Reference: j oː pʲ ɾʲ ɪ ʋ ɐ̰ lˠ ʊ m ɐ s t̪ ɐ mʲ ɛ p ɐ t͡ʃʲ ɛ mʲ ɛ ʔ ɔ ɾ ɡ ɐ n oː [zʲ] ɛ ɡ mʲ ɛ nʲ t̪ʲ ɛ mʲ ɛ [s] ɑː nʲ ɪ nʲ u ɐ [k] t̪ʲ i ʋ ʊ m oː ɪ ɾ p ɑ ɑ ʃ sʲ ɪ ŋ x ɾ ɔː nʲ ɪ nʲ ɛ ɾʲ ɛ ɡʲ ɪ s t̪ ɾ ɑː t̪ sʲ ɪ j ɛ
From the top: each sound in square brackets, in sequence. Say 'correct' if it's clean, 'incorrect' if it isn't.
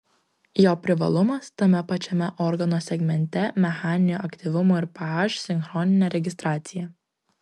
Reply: incorrect, incorrect, correct

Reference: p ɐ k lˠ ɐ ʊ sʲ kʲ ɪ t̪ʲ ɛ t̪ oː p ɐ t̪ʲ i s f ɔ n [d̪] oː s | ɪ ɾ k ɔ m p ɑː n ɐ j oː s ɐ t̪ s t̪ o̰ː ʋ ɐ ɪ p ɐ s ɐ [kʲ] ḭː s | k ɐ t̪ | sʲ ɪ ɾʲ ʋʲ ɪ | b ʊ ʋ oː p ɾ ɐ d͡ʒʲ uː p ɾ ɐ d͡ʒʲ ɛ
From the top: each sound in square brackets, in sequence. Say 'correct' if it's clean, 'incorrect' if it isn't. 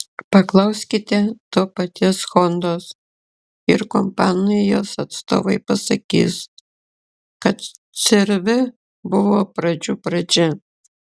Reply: correct, correct

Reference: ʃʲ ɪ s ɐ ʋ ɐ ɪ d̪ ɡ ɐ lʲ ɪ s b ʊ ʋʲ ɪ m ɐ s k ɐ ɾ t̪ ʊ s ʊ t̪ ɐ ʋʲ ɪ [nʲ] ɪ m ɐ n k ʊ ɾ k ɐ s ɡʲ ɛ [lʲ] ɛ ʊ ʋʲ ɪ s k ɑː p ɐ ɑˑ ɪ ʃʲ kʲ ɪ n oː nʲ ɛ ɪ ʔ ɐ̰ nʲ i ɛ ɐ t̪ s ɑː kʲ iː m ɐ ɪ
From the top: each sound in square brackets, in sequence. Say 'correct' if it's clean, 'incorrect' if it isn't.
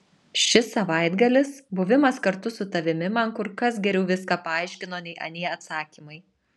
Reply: incorrect, incorrect

